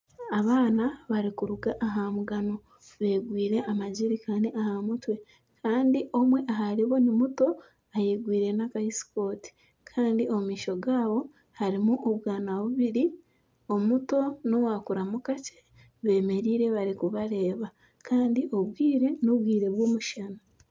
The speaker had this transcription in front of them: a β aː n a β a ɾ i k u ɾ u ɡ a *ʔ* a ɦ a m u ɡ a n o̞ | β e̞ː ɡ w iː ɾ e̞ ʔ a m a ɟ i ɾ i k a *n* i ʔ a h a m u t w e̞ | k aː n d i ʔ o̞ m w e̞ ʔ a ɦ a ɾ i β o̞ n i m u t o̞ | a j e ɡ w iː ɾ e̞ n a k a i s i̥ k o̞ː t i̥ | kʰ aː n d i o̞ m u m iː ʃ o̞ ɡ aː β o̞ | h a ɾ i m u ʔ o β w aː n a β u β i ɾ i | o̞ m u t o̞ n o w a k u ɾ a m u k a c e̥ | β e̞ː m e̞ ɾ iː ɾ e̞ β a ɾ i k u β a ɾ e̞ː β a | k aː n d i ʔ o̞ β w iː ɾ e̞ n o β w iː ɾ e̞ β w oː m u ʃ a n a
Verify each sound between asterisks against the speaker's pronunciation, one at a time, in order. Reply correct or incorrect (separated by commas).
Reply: correct, correct